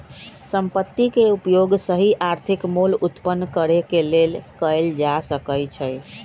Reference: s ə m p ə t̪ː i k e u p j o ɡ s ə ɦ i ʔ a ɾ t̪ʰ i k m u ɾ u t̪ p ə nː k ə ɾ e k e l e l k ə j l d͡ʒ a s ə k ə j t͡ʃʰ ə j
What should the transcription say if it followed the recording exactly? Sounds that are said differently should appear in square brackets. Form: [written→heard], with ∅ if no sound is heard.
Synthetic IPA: s ə m p ə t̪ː i k e u p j o ɡ s ə ɦ i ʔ a ɾ t̪ʰ i k m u [ɾ→l] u t̪ p ə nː k ə ɾ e k e l e l k ə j l d͡ʒ a s ə k ə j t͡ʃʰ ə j

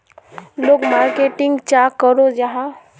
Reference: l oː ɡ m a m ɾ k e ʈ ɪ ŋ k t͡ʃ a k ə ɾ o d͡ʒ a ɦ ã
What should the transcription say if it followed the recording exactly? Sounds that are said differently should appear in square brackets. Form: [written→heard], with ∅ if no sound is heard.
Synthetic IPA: l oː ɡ m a [m→∅] ɾ k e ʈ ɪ ŋ [k→ɡ] t͡ʃ a k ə ɾ o d͡ʒ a ɦ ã

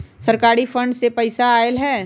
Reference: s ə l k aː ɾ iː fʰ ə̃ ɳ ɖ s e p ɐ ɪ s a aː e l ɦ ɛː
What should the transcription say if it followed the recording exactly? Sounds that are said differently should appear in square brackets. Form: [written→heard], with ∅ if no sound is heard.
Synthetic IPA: s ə [l→ɾ] k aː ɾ [iː→i] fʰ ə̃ ɳ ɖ s e p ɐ ɪ s a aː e l ɦ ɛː

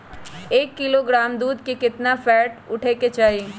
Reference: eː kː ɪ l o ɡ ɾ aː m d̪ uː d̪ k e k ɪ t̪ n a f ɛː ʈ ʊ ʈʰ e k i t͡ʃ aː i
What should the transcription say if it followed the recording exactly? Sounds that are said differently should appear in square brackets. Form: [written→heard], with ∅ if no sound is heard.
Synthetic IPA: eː kː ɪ l o ɡ ɾ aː m d̪ uː d̪ k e k ɪ t̪ n a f ɛː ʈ ʊ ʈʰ e k [i→e] t͡ʃ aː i

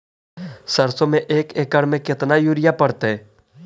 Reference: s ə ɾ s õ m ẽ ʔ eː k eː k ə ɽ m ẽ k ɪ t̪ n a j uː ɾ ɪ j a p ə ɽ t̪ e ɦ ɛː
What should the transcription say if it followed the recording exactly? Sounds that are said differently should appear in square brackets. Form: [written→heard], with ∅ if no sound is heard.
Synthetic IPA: s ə ɾ s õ m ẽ ʔ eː k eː k ə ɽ m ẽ k ɪ t̪ n a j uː ɾ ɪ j a p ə ɽ t̪ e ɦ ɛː

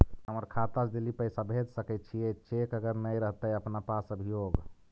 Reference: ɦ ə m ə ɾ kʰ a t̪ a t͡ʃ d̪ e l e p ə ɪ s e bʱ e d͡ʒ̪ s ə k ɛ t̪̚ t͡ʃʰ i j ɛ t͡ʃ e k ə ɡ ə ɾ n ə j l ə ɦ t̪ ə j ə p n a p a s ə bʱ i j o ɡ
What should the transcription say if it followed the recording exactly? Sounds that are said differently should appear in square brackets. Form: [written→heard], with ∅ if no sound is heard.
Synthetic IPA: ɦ ə m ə ɾ kʰ a t̪ a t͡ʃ d̪ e l [e→i] p ə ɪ s [e→a] bʱ e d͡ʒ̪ s ə k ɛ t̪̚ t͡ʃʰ i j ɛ t͡ʃ e k ə ɡ ə ɾ n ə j [l→ɾ] ə ɦ t̪ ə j ə p n a p a s ə bʱ i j o ɡ

